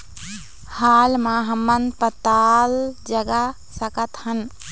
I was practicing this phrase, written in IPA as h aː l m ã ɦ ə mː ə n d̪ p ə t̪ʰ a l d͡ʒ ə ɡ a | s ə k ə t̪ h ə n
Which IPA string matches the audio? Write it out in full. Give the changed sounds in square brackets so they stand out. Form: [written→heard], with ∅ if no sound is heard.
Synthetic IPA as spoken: h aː l m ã ɦ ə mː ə n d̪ p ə [t̪ʰ→t̪] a l d͡ʒ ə ɡ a | s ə k ə t̪ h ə n